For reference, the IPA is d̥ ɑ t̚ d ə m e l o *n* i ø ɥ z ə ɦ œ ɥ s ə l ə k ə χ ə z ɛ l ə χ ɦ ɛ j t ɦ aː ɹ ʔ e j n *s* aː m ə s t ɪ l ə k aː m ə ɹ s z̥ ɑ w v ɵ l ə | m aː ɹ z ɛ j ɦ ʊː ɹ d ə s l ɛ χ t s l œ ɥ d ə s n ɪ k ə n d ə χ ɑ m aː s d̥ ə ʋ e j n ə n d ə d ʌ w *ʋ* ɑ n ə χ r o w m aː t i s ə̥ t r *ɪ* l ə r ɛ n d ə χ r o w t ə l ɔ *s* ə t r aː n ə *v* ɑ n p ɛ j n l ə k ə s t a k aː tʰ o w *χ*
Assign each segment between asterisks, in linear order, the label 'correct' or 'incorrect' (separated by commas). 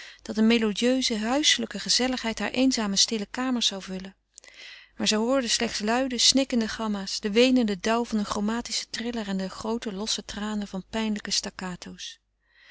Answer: incorrect, incorrect, incorrect, correct, correct, correct, incorrect